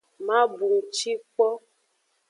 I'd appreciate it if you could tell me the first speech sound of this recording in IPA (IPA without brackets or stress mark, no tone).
m